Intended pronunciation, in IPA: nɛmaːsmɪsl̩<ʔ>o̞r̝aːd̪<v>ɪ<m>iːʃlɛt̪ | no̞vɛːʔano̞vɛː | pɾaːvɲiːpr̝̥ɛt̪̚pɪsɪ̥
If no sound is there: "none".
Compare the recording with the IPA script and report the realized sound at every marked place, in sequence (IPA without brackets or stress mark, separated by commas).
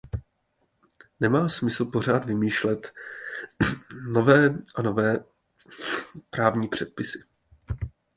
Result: p, v, m